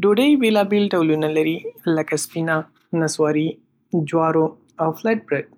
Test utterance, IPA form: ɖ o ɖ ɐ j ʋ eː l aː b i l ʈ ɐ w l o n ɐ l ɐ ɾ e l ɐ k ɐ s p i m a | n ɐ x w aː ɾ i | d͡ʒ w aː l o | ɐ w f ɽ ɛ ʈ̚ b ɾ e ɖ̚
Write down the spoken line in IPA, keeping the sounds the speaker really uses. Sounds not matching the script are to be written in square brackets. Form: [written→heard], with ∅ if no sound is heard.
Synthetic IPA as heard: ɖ o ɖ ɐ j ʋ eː l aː b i l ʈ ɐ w l [o→u] n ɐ l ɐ ɾ [e→i] l ɐ k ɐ s p i [m→n] a | n ɐ [x→s] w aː ɾ i | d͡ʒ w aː [l→ɾ] o | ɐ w f [ɽ→l] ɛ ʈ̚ b ɾ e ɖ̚